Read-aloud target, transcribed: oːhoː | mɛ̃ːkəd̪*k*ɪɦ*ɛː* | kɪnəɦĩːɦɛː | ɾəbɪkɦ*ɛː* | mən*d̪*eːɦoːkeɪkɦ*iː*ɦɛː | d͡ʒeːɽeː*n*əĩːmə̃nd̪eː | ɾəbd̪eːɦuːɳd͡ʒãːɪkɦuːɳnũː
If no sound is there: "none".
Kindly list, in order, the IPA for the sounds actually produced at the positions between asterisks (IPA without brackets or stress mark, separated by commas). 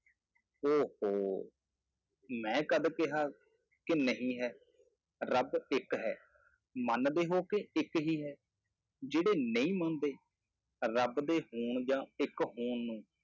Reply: k, aː, ɛː, d̪, iː, n